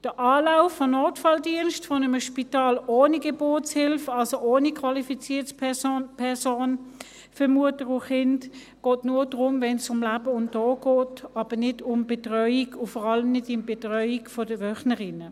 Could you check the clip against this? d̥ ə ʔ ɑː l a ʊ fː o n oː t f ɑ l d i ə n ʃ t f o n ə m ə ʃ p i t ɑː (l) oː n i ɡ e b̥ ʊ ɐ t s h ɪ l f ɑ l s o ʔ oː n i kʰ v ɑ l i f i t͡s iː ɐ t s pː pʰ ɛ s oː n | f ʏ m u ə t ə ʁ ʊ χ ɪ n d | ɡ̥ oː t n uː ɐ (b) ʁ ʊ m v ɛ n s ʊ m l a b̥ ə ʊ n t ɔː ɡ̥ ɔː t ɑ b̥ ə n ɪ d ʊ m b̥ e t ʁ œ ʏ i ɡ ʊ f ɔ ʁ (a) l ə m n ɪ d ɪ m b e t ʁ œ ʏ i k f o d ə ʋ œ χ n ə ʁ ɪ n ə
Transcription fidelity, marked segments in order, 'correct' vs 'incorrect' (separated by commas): correct, incorrect, incorrect